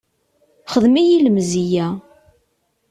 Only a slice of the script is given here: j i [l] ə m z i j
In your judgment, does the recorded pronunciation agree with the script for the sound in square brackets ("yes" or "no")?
yes